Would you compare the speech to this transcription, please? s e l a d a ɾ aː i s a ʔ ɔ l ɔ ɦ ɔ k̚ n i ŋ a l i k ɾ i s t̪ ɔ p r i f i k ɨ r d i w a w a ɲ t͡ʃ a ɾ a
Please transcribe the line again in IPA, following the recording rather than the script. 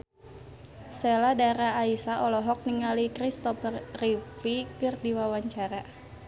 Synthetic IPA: s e l a d a ɾ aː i s a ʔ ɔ l ɔ ɦ ɔ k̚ n i ŋ a l i k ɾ i s t̪ ɔ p r i f i k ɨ r d i w a w a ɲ t͡ʃ a ɾ a